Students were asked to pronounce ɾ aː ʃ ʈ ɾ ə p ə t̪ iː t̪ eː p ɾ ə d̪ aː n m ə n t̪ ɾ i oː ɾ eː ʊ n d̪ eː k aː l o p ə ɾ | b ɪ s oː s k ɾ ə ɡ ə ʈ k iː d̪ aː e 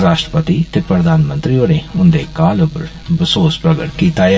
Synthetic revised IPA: ɾ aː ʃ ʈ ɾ ə p ə t̪ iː t̪ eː p ɾ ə d̪ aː n m ə n t̪ ɾ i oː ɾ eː ʊ n d̪ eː k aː l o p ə ɾ | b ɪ s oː s p ɾ ə ɡ ə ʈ k iː t̪ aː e